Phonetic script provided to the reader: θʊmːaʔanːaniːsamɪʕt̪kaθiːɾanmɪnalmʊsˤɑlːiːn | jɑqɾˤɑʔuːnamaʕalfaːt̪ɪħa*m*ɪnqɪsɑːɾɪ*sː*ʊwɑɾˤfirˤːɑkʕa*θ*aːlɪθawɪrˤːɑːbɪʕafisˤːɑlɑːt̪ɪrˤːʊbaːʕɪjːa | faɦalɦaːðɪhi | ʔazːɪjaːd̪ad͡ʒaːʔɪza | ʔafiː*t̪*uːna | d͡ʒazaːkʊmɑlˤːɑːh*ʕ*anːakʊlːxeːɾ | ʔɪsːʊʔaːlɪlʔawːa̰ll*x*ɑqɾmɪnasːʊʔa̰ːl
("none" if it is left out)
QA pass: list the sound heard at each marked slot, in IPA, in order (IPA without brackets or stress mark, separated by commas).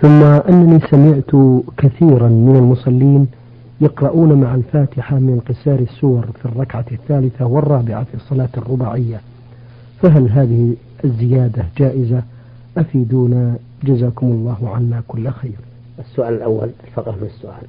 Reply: m, sː, θː, d̪, ʕ, f